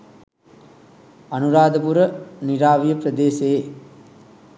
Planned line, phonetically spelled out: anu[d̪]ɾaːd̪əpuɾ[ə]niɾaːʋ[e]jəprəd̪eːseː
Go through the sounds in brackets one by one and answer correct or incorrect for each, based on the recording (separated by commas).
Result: incorrect, correct, incorrect